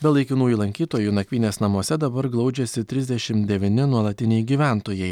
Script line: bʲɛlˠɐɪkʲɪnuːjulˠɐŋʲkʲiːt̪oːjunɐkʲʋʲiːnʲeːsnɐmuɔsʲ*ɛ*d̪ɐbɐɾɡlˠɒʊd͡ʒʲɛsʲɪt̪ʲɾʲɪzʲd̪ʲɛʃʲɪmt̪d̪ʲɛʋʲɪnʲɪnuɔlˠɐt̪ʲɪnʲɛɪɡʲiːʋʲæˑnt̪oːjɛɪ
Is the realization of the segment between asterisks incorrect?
no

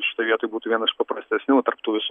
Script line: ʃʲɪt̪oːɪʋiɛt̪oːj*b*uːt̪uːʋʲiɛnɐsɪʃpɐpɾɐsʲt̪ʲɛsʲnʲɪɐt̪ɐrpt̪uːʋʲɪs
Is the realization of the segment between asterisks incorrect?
no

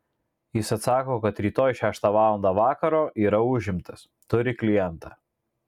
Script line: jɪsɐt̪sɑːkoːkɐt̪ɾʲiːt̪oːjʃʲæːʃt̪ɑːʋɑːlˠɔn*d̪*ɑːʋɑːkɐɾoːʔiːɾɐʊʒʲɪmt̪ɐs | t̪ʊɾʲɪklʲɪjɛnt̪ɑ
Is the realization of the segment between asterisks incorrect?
no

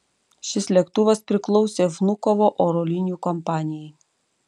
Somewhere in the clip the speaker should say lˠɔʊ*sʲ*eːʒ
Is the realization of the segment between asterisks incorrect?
no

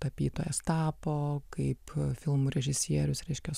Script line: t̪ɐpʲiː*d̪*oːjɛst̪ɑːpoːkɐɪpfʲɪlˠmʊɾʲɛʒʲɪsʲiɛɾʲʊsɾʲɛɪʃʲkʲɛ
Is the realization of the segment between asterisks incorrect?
yes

